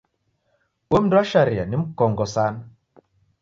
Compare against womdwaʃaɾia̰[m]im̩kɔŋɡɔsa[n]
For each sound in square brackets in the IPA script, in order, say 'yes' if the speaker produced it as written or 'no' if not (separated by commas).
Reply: no, yes